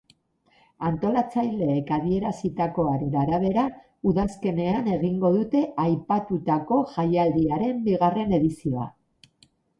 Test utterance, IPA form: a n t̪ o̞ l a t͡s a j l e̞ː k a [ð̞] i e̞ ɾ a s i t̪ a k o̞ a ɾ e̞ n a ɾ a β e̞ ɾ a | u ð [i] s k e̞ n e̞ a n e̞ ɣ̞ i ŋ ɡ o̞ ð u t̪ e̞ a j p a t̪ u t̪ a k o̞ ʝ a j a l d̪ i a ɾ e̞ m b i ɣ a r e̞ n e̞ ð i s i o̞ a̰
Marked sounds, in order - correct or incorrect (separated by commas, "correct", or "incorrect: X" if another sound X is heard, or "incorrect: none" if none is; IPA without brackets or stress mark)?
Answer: correct, incorrect: a